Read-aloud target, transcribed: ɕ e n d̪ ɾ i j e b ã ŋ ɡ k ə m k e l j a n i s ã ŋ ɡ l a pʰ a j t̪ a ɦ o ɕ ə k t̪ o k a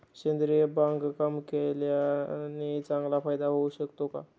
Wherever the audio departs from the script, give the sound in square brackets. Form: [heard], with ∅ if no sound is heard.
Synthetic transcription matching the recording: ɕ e n d̪ ɾ i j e b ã ŋ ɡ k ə m k e l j a n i [t͡s] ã ŋ ɡ l a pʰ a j [d̪] a ɦ o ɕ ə k t̪ o k a

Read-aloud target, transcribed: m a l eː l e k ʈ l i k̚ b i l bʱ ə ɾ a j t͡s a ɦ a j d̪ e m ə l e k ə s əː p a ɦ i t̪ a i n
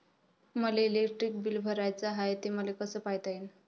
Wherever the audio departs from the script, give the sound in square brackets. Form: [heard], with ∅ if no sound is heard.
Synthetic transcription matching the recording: m [ə] l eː l e k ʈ [ɾ] i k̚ b i l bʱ ə ɾ a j t͡s a ɦ a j [t̪] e m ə l e k ə s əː p a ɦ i t̪ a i n

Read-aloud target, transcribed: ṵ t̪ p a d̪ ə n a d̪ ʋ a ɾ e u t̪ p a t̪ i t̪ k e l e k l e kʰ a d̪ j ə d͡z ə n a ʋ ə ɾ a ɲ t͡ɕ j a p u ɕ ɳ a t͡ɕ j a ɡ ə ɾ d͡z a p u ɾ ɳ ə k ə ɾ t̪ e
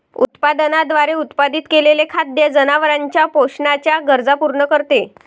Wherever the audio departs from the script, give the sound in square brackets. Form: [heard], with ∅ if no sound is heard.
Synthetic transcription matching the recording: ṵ t̪ p a d̪ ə n a d̪ ʋ a ɾ e u t̪ p a [d̪] i t̪ k e l e [∅] l e kʰ a d̪ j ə d͡z ə n a ʋ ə ɾ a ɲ t͡ɕ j a p [o] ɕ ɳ a t͡ɕ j a ɡ ə ɾ d͡z a p u ɾ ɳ ə k ə ɾ t̪ e

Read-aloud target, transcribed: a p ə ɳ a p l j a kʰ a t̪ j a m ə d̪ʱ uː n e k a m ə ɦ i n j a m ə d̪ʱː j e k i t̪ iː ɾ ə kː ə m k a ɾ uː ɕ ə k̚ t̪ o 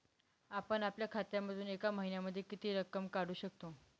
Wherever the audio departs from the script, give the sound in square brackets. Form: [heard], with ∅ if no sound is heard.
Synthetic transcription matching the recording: a p ə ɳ a p l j a kʰ a t̪ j a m ə d̪ʱ uː n e k a m ə ɦ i n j a m ə d̪ʱː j e k i t̪ iː ɾ ə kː ə m k a [ɽ] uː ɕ ə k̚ t̪ o

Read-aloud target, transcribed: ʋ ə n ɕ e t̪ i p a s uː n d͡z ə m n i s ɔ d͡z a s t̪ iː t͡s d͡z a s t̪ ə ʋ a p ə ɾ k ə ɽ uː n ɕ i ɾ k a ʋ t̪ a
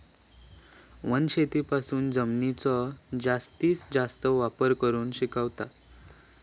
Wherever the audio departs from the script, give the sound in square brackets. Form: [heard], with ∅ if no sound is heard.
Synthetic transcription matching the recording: ʋ ə n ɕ e t̪ i p a s uː n d͡z ə m n i [t͡s] ɔ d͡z a s t̪ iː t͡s d͡z a s t̪ ə ʋ a p ə ɾ k ə [ɾ] uː n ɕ i [∅] k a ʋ t̪ a

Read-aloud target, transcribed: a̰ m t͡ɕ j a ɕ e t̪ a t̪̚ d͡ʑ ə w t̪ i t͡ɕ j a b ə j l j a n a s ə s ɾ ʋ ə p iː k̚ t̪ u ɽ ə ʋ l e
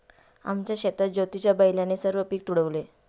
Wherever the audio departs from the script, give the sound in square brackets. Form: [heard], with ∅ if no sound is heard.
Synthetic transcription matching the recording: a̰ m t͡ɕ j a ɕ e t̪ a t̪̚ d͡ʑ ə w t̪ i t͡ɕ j a b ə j l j a n [e] s ə [∅] ɾ ʋ ə p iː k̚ t̪ u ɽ ə ʋ l e

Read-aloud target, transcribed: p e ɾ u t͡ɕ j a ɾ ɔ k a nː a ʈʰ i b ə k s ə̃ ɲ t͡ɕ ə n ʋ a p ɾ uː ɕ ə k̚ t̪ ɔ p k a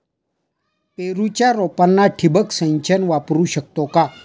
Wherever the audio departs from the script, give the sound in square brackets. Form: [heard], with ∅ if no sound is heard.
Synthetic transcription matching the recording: p e ɾ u t͡ɕ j a ɾ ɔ [p] a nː a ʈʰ i b ə k s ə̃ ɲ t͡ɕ ə n ʋ a p ɾ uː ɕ ə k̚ t̪ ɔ [∅] k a

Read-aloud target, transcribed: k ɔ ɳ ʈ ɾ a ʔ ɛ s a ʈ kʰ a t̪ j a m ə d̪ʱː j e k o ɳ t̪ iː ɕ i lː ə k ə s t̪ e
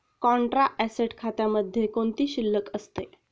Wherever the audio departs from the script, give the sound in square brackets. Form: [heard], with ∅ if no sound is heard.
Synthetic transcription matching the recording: k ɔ ɳ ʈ ɾ a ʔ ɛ s [e] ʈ kʰ a t̪ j a m ə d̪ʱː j e k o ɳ t̪ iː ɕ i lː ə k ə s t̪ e

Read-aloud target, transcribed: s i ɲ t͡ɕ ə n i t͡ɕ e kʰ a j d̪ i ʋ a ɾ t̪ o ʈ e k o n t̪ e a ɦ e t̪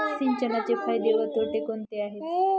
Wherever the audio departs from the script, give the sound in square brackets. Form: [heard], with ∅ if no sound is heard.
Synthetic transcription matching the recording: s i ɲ t͡ɕ ə n [a] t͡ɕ e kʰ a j d̪ [e] ʋ [ə] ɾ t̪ o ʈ e k o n t̪ e a ɦ e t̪

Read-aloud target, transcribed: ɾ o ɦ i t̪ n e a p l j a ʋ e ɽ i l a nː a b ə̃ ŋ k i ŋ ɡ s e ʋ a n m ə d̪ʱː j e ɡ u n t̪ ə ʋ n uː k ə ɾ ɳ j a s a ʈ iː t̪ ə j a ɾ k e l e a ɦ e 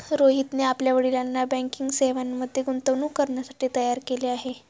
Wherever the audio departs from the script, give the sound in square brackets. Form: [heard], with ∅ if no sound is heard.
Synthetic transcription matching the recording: ɾ o ɦ i t̪ n e a p l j a ʋ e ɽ i l a nː a b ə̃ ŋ k i ŋ ɡ s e ʋ a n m ə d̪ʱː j e ɡ u n t̪ ə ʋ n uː k ə ɾ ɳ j a s a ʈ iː t̪ ə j a ɾ k e l e a ɦ e

